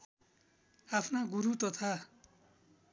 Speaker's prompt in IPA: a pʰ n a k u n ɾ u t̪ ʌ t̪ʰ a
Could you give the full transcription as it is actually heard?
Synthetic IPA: a pʰ n a ɡ u ɾ u t̪ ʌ t̪ʰ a